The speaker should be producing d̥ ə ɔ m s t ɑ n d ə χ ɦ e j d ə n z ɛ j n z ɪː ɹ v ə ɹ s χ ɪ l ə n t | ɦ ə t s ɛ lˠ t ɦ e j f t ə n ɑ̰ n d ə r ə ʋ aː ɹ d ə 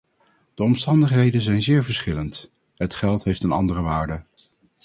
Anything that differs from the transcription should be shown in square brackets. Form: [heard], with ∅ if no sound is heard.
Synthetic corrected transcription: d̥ ə ɔ m s t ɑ n d ə χ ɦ e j d ə n z ɛ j n z ɪː ɹ v ə ɹ s χ ɪ l ə n t | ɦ ə t [χ] ɛ lˠ t ɦ e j f t ə n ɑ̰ n d ə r ə ʋ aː ɹ d ə

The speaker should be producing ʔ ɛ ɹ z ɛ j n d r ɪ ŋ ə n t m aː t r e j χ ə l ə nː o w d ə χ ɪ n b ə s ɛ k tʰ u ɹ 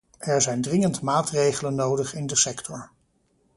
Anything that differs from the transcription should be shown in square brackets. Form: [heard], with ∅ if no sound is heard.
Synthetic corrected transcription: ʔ ɛ ɹ z ɛ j n d r ɪ ŋ ə n t m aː t r e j χ ə l ə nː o w d ə χ ɪ n [d] ə s ɛ k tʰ [ɔ] ɹ

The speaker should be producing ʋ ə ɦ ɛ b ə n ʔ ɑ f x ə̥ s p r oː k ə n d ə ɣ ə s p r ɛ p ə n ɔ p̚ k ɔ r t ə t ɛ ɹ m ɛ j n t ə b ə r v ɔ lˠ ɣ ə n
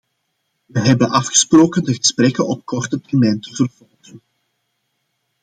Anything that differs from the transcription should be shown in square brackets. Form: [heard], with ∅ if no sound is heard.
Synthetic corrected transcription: ʋ ə ɦ ɛ b ə n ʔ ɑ f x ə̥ s p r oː k ə n d ə ɣ ə s p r ɛ [k] ə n ɔ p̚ k ɔ r t ə t ɛ [r] m ɛ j n t ə [v] ə r v ɔ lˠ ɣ ə n

